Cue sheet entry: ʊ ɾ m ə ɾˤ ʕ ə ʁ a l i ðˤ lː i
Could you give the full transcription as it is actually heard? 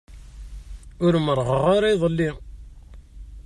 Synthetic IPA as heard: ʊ ɾ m ə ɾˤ ʁ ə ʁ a ɾ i ðˤ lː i